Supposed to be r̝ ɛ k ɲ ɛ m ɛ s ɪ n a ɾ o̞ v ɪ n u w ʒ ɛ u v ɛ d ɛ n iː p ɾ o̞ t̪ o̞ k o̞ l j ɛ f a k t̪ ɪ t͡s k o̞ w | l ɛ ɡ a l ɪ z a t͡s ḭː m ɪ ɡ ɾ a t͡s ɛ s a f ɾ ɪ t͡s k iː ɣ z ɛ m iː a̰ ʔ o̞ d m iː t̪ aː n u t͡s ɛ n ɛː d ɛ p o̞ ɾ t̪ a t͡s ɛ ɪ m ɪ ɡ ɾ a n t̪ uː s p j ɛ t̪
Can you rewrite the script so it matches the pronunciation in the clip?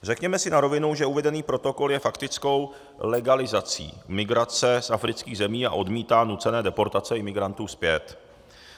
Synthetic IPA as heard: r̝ ɛ k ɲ ɛ m ɛ s ɪ n a ɾ o̞ v ɪ n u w ʒ ɛ u v ɛ d ɛ n iː p ɾ o̞ t̪ o̞ k o̞ l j ɛ f a k t̪ ɪ t͡s k o̞ w | l ɛ ɡ a l ɪ z a t͡s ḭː m ɪ ɡ ɾ a t͡s ɛ s a f ɾ ɪ t͡s k iː ɣ z ɛ m iː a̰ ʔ o̞ d m iː t̪ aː n u t͡s ɛ n ɛː d ɛ p o̞ ɾ t̪ a t͡s ɛ ɪ m ɪ ɡ ɾ a n t̪ uː s p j ɛ t̪